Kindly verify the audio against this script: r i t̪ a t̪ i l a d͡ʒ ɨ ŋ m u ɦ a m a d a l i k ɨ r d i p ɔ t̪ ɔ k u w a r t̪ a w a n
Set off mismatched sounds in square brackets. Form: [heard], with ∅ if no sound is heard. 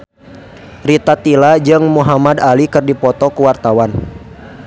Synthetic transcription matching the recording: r i t̪ a t̪ i l a d͡ʒ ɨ ŋ m u ɦ a m a d a l i k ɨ r d i p ɔ t̪ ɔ k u w a r t̪ a w a n